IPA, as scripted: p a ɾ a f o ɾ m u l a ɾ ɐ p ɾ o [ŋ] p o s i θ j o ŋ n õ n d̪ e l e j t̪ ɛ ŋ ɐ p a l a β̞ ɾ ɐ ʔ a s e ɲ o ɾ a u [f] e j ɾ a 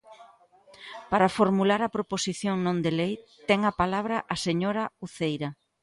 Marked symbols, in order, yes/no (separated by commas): no, no